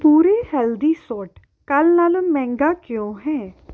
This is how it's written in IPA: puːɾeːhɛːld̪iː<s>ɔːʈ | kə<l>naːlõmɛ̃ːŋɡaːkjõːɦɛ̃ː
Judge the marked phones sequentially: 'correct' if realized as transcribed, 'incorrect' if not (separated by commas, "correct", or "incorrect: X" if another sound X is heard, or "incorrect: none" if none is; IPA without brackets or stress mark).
correct, correct